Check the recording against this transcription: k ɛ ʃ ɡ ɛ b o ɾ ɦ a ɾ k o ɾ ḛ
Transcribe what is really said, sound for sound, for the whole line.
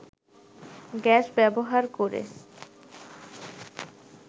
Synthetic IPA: ɡ ɛ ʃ b ɛ b o ɦ a ɾ k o ɾ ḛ